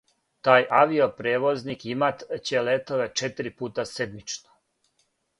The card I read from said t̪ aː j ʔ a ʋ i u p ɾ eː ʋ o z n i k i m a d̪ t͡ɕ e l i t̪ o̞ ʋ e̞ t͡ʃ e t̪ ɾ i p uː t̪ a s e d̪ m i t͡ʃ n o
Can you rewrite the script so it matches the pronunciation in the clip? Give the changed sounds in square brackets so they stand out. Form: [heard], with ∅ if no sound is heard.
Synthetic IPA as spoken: t̪ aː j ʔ a ʋ i [o] p ɾ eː ʋ o z n i k i m a [t̪] t͡ɕ e l [e] t̪ o̞ ʋ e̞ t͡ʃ e t̪ ɾ i p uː t̪ a s e d̪ m i t͡ʃ n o